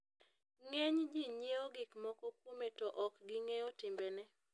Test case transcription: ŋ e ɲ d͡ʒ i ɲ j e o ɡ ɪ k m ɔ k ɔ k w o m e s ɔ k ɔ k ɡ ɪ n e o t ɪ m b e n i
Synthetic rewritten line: ŋ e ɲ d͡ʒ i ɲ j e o ɡ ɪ k m ɔ k ɔ k w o m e t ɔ ʔ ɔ k ɡ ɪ ŋ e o t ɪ m b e n ɛ